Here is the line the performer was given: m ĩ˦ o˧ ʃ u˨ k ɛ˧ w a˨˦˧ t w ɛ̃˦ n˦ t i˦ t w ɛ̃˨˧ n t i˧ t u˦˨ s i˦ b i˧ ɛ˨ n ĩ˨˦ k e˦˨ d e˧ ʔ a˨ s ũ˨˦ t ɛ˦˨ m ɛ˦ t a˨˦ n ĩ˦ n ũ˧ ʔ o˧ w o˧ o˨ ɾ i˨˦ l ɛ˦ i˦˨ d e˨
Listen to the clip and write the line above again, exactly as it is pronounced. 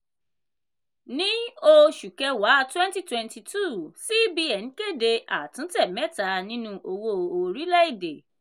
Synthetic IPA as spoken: n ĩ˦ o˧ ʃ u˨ k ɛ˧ w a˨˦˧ t w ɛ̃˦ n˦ t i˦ t w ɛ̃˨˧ n t i˧ t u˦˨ s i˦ b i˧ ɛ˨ n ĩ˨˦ k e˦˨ d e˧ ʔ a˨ t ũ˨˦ t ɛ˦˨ m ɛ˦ t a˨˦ n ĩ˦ n ũ˧ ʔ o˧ w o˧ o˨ ɾ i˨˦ l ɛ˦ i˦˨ d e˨

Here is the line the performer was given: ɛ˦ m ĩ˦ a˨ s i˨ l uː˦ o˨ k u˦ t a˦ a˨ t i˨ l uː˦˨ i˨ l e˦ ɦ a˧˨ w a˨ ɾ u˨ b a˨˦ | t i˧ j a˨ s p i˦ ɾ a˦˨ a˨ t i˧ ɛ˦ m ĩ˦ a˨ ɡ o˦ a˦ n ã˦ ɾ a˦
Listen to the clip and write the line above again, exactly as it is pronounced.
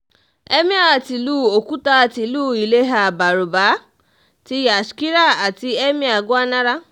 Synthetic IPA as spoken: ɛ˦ m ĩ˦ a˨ t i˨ l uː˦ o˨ k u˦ t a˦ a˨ t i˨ l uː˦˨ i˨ l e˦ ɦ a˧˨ b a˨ ɾ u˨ b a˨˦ | t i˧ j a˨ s k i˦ ɾ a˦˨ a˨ t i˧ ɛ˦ m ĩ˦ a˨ ɡ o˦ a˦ n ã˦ ɾ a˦

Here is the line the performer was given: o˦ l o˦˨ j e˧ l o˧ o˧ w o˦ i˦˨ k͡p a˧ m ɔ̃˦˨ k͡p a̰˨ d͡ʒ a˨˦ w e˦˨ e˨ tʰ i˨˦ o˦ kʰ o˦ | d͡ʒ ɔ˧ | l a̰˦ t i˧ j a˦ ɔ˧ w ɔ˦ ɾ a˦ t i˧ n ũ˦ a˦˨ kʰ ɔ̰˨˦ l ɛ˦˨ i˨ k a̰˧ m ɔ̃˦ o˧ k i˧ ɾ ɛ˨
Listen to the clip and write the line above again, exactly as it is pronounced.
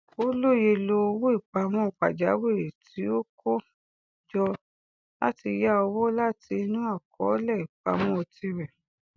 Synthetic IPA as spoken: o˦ l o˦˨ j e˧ l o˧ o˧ w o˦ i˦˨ k͡p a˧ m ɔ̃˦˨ k͡p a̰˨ d͡ʒ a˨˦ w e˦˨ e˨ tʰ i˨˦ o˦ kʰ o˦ | d͡ʒ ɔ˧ | l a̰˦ t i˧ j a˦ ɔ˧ w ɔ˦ l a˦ t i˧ n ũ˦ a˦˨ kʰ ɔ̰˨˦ l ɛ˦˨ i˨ k͡p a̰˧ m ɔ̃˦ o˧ t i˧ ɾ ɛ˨

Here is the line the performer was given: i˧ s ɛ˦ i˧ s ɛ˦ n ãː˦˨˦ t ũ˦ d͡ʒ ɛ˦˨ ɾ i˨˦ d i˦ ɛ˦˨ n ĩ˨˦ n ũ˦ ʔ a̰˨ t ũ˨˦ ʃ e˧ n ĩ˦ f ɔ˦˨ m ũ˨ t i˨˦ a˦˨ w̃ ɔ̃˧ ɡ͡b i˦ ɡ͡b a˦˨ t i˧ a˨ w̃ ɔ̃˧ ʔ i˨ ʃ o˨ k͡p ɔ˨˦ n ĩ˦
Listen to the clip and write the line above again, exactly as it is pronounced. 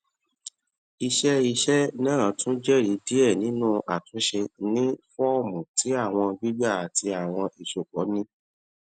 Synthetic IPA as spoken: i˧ ʃ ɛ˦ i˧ ʃ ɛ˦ n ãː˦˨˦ t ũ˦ d͡ʒ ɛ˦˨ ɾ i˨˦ d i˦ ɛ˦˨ n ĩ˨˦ n ũ˦ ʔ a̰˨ t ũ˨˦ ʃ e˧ n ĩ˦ f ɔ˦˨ m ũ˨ t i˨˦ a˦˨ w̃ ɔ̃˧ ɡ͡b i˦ ɡ͡b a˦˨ t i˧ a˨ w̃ ɔ̃˧ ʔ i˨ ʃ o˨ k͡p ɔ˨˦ n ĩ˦

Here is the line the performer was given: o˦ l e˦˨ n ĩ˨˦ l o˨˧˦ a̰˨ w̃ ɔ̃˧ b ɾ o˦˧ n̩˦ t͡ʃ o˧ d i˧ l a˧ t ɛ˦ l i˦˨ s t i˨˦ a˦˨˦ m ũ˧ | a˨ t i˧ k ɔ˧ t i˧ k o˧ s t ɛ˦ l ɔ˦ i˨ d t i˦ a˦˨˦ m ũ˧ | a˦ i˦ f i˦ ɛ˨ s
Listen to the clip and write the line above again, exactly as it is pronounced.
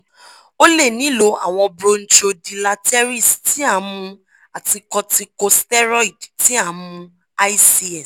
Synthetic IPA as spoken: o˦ l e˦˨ n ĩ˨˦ l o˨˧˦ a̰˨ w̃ ɔ̃˧ b ɾ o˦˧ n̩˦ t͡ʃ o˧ d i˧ l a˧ t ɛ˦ ɾ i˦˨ s t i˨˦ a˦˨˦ m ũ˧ | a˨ t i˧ k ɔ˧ t i˧ k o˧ s t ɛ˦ ɾ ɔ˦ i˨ d t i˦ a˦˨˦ m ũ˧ | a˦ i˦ s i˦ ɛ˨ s

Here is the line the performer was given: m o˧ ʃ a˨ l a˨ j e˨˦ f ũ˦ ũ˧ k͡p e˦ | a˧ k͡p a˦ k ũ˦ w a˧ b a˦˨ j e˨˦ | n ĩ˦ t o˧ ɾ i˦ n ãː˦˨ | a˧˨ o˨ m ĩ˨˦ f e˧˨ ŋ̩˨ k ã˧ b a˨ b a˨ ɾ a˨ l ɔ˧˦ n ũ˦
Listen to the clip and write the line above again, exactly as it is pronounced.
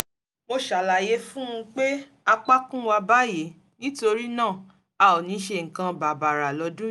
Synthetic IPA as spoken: m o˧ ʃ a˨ l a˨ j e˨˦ f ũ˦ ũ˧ k͡p e˦ | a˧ k͡p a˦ k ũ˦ w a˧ b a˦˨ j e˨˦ | n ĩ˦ t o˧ ɾ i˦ n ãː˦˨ | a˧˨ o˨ n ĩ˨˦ ʃ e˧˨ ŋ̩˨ k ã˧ b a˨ b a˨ ɾ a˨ l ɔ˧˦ d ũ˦

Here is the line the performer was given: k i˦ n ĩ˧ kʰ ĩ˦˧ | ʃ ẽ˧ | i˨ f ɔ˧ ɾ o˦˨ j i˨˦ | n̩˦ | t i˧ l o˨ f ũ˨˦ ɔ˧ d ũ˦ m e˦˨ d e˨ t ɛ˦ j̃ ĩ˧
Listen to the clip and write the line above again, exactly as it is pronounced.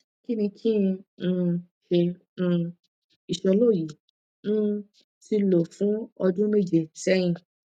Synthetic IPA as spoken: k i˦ n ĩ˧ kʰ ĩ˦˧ | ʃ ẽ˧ | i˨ ʃ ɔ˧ l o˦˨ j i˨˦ | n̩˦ | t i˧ l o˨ f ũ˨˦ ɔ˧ d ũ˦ m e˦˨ d͡ʒ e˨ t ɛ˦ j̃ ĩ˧

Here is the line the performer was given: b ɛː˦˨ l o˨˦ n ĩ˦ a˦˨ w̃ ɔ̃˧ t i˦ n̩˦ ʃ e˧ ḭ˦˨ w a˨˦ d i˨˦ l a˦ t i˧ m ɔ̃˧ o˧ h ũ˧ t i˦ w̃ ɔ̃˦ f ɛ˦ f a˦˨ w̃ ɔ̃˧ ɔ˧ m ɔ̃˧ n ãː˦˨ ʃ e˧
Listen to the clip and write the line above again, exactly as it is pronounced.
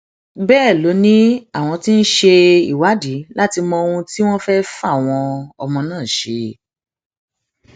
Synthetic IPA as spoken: b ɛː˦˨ l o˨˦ n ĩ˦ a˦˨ w̃ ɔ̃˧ t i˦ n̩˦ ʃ e˧ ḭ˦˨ w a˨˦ d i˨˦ l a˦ t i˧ m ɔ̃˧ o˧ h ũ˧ t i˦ w̃ ɔ̃˦ f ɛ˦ f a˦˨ w̃ ɔ̃˧ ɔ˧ m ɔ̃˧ n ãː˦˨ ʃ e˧

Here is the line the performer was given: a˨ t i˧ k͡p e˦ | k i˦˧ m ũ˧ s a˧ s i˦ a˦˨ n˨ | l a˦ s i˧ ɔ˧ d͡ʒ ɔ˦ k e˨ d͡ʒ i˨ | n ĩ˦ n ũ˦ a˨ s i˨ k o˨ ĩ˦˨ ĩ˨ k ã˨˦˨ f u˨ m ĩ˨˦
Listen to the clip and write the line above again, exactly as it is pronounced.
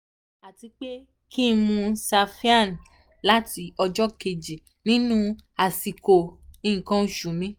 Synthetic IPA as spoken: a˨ t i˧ k͡p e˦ | k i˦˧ m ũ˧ s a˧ f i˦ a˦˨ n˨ | l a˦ t i˧ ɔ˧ d͡ʒ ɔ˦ k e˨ d͡ʒ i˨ | n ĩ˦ n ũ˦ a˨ s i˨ k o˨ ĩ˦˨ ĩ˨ k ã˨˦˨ ʃ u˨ m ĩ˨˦

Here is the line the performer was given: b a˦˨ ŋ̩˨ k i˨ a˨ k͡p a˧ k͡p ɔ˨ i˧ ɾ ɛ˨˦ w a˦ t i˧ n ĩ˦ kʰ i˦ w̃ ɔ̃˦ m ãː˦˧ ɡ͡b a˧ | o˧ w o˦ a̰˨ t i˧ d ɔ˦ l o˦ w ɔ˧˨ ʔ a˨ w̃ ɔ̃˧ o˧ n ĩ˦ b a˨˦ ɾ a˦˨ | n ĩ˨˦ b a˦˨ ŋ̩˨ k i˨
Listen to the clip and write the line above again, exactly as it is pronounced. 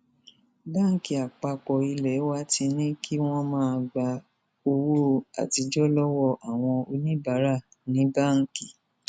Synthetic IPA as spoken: b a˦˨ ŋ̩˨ k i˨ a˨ k͡p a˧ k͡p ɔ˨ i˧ l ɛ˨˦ w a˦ t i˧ n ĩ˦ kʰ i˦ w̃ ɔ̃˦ m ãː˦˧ ɡ͡b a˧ | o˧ w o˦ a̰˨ t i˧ d͡ʒ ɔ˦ l ɔ˦ w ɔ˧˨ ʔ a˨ w̃ ɔ̃˧ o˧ n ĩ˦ b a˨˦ ɾ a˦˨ | n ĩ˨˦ b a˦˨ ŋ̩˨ k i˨

